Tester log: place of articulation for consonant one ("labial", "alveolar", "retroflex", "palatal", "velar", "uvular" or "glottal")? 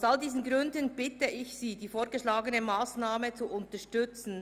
alveolar